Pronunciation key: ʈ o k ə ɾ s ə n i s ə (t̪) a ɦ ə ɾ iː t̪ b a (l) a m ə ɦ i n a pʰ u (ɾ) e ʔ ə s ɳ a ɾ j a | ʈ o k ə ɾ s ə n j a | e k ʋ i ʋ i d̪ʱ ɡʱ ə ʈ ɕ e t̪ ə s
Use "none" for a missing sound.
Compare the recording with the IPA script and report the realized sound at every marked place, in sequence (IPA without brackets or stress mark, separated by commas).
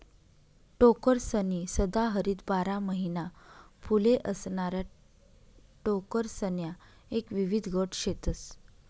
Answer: d̪, ɾ, l